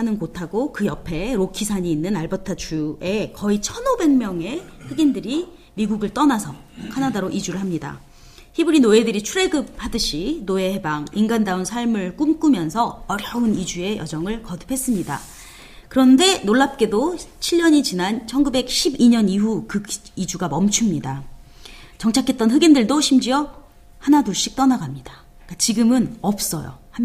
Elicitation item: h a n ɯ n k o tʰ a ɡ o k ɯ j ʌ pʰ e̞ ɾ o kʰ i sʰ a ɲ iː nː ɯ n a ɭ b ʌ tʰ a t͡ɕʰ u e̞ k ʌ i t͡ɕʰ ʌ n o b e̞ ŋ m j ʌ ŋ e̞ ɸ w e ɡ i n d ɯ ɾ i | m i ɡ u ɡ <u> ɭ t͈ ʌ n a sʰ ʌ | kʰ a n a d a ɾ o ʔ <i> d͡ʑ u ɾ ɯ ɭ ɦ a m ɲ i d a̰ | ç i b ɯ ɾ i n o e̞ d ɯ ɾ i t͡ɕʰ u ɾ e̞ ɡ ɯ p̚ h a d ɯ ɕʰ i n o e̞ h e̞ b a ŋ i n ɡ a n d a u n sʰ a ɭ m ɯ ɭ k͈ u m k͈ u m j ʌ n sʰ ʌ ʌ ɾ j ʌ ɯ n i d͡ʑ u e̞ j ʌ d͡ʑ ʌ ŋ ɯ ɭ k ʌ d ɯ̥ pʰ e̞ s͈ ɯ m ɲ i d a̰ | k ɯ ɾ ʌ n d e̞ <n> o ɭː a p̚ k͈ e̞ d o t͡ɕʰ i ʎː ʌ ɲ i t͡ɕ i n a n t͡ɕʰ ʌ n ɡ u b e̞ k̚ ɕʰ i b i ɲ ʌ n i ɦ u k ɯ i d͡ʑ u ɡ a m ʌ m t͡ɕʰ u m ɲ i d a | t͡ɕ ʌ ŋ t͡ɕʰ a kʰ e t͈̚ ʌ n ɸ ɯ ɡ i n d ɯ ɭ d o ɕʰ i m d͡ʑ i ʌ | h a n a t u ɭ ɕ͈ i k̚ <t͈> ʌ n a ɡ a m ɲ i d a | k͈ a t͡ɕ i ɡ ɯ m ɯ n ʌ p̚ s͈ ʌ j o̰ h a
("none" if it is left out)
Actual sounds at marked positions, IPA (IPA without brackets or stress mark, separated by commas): ɯ, i, n, t͈